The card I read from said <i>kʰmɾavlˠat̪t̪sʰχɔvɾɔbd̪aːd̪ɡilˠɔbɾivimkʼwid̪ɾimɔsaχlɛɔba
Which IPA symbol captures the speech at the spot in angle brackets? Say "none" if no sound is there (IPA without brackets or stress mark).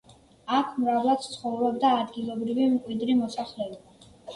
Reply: a